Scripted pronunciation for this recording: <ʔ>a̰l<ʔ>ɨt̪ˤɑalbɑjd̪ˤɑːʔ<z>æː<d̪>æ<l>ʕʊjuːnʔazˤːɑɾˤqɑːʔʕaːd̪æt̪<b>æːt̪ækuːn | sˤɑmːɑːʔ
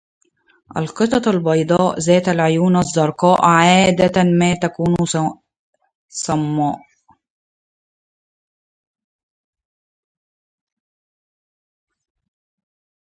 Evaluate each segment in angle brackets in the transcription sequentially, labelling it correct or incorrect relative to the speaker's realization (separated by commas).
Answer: correct, incorrect, correct, incorrect, correct, incorrect